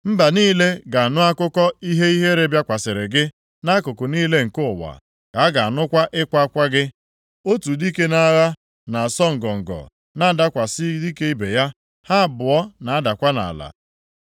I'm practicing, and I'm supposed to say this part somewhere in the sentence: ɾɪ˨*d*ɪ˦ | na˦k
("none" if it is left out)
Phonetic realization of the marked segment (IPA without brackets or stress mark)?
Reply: ɡ